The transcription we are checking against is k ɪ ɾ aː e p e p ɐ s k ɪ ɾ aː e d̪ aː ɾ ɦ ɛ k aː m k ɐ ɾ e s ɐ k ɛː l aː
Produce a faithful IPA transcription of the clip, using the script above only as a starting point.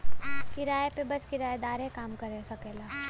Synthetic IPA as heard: k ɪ ɾ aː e p e b ɐ s k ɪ ɾ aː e d̪ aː ɾ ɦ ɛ k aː m k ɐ ɾ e s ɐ k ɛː l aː